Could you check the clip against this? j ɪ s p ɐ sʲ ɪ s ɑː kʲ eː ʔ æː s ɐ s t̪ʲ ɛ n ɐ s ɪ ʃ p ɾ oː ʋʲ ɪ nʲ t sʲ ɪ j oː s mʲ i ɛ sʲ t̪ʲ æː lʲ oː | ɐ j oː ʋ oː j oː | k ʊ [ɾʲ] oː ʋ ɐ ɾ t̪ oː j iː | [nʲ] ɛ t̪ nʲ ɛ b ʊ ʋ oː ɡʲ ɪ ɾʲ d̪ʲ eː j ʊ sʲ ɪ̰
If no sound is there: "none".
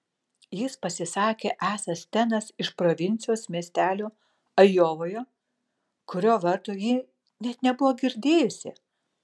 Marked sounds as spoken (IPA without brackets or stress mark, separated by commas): ɾʲ, nʲ